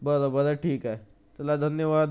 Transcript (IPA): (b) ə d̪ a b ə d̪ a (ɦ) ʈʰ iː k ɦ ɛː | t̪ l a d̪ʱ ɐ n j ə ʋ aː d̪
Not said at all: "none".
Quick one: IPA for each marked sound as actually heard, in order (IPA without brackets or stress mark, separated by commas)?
b, none